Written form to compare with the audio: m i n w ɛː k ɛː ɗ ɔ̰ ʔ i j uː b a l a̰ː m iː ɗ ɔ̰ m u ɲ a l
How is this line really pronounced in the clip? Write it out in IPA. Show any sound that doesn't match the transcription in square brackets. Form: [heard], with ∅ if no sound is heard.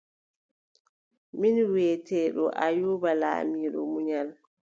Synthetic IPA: m i n w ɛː [t] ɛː ɗ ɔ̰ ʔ [a] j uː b a l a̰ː m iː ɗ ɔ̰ m u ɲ a l